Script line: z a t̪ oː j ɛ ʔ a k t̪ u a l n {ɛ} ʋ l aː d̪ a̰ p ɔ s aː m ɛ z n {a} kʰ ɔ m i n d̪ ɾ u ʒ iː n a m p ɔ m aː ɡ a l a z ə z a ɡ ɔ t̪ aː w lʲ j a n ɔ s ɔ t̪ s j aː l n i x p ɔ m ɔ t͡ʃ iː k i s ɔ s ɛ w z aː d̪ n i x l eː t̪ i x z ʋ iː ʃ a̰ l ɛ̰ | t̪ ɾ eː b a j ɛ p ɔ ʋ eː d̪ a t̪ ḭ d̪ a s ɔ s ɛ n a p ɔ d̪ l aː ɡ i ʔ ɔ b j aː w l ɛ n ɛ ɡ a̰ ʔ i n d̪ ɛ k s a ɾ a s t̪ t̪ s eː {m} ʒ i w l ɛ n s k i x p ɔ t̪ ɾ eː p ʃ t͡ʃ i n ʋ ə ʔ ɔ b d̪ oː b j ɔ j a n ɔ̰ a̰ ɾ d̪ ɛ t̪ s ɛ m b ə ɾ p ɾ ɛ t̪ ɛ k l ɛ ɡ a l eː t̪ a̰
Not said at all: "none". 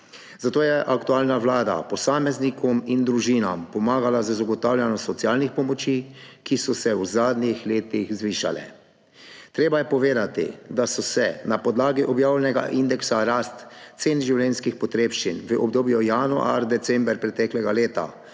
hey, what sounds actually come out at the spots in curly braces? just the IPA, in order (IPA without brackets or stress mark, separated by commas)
a, i, n